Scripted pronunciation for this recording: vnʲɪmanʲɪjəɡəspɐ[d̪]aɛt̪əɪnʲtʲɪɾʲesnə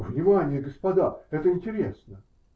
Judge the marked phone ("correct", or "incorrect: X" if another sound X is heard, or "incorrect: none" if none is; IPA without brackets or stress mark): correct